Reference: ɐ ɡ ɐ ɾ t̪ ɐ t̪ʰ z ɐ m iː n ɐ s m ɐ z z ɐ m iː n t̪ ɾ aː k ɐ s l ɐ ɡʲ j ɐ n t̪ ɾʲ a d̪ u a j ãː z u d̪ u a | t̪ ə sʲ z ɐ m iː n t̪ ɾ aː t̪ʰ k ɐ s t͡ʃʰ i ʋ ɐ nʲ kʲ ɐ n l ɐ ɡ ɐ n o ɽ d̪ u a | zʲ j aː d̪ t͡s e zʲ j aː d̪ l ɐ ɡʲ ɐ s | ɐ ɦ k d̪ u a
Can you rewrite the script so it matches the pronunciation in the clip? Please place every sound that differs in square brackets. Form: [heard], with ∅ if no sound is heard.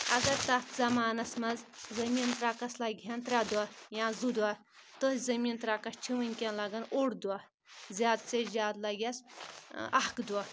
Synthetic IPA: ɐ ɡ ɐ ɾ t̪ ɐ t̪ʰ z ɐ m [aː] n ɐ s m ɐ z z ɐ m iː n t̪ ɾ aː k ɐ s l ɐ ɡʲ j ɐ n t̪ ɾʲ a d̪ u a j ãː z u d̪ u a | t̪ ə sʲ z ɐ m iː n t̪ ɾ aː [∅] k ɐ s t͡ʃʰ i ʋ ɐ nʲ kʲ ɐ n l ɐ ɡ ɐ n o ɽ d̪ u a | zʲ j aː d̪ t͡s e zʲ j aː d̪ l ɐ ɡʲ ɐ s | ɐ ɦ k d̪ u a